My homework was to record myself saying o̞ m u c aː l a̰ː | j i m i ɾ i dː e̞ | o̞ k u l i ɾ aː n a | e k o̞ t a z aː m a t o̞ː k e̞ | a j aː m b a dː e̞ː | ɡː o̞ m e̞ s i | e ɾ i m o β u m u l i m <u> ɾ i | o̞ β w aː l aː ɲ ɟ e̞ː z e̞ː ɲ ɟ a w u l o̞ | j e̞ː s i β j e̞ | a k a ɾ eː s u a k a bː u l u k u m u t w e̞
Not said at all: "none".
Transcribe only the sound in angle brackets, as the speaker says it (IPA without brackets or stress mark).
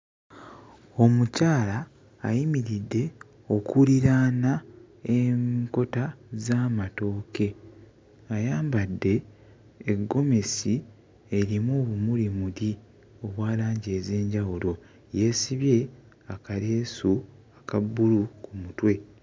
u